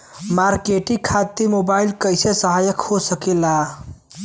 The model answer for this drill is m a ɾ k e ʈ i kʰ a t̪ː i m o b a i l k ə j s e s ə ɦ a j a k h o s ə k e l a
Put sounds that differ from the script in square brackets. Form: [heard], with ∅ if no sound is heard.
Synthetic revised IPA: m a ɾ k e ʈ i kʰ a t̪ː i m o b a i l k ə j s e s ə ɦ a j [ə] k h o s ə k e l a